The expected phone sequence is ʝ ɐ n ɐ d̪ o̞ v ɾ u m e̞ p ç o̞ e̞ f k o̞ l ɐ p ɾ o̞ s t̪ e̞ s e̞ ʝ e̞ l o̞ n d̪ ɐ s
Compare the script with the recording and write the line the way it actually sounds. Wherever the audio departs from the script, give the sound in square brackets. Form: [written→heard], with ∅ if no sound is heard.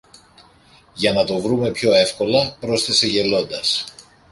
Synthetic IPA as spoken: ʝ ɐ n ɐ [d̪→t̪] o̞ v ɾ u m e̞ p ç o̞ e̞ f k o̞ l ɐ p ɾ o̞ s t̪ e̞ s e̞ ʝ e̞ l o̞ n d̪ ɐ s